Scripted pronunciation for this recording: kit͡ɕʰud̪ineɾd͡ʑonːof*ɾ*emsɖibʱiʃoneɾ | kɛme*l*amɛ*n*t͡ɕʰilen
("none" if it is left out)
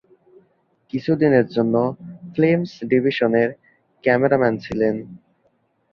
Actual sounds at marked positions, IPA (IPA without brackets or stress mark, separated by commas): l, ɾ, n